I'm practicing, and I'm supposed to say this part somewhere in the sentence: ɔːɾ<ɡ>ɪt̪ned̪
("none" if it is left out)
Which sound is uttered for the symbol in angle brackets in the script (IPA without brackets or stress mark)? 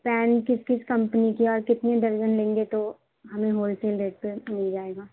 k